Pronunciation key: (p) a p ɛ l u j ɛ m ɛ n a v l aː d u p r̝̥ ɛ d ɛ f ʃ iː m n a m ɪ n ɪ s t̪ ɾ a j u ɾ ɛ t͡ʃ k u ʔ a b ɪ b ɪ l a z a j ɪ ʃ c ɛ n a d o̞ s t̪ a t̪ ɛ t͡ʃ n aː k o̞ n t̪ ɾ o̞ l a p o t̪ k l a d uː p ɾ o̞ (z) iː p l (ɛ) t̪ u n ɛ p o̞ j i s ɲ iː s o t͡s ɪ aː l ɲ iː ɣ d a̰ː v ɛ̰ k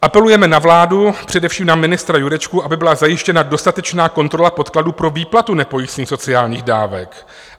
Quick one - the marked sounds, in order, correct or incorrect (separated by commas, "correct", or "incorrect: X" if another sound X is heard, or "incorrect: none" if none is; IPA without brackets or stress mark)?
incorrect: ʔ, incorrect: v, incorrect: a